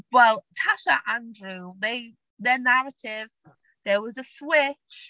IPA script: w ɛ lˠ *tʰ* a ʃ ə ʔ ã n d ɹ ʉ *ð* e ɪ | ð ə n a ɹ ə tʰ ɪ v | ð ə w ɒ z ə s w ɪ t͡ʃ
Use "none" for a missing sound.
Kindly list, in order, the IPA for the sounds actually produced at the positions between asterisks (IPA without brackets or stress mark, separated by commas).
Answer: tʰ, ð